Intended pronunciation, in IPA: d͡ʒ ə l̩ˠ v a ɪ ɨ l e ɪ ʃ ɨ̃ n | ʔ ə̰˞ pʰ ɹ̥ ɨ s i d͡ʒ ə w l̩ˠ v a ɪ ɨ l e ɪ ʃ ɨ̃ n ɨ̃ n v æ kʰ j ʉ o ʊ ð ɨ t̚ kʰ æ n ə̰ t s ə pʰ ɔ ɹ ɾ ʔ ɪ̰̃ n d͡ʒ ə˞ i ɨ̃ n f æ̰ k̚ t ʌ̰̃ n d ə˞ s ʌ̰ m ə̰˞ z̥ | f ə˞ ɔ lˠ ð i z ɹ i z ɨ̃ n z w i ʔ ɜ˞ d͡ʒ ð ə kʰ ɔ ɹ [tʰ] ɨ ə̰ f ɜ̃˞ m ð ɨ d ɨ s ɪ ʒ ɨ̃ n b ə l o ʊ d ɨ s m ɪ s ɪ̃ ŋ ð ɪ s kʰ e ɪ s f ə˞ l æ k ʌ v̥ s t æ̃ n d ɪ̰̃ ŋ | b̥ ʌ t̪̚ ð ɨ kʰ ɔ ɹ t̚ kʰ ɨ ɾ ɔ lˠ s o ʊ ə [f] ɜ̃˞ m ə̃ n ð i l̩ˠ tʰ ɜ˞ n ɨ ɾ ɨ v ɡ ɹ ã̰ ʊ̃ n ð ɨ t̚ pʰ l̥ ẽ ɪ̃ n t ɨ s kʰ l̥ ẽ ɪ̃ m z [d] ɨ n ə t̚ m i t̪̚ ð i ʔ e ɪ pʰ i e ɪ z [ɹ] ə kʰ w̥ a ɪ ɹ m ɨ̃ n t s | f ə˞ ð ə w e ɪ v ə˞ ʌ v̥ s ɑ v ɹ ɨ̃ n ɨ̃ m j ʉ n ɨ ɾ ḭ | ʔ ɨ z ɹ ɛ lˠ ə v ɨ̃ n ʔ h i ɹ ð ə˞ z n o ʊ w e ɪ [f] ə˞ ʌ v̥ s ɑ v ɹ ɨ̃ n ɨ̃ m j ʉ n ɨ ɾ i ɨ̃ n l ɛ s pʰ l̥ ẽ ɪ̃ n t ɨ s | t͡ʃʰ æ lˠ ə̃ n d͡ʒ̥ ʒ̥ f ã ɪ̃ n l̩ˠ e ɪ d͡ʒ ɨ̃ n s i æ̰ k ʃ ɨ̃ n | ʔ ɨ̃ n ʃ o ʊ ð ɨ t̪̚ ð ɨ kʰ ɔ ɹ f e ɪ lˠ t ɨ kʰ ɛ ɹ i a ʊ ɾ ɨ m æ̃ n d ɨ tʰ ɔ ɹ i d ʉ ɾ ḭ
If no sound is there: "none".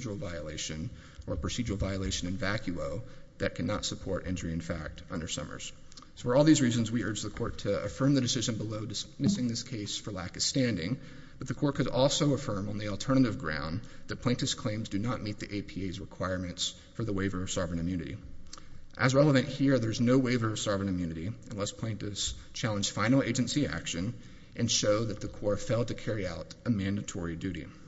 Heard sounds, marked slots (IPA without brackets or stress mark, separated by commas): tʰ, f, d, ɹ, v